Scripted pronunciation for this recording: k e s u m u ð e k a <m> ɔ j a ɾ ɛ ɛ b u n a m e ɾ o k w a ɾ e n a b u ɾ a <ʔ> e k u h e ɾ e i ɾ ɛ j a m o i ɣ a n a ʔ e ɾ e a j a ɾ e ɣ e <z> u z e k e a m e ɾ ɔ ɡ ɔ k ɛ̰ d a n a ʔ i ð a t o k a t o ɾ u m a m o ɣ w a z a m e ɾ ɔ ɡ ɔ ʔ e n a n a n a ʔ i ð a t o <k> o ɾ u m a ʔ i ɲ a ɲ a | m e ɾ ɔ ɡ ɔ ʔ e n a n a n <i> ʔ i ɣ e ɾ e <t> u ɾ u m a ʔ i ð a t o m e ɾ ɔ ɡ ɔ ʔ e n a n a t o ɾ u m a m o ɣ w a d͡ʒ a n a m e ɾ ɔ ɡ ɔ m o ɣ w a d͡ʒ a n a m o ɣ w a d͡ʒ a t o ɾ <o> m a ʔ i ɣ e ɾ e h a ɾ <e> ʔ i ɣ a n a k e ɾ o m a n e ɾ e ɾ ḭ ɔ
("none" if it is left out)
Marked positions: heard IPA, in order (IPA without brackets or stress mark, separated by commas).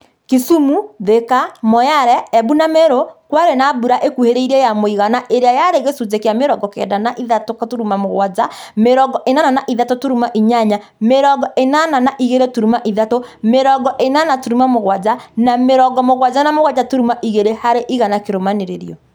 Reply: m, ʔ, s, t, a, t, u, e